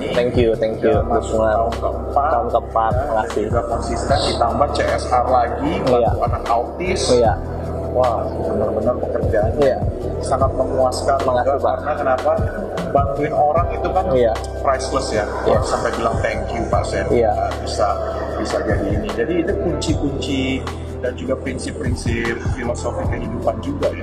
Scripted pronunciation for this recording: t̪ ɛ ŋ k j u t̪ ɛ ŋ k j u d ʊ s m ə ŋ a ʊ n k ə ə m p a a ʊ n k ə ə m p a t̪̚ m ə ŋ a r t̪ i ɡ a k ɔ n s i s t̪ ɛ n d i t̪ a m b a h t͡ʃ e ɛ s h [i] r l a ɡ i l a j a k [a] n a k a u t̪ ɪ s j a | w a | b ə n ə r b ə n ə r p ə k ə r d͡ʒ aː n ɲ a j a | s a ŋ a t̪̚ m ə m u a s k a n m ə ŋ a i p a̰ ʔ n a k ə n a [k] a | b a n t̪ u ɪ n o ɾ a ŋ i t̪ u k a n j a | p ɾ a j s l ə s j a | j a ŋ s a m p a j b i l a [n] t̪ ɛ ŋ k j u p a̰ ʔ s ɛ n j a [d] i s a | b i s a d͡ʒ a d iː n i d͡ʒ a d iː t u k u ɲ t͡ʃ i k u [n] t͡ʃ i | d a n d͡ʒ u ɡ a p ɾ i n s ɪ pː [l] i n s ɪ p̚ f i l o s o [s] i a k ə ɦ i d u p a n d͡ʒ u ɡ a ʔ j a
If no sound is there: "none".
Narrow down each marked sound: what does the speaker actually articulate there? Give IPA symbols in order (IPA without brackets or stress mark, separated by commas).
a, a, p, ŋ, b, ɲ, ɾ, f